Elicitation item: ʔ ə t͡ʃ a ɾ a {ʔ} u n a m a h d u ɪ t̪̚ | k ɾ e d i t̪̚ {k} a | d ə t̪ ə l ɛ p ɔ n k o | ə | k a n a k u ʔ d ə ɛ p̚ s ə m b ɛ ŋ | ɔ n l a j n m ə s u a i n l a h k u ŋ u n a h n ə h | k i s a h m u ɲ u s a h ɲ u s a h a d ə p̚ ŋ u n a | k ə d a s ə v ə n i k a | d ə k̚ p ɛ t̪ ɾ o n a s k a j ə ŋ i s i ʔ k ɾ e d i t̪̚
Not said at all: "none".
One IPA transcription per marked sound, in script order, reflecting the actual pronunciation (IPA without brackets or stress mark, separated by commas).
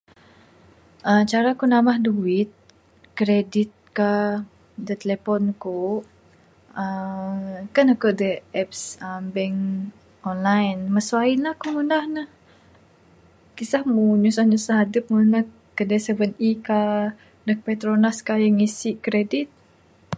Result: k, k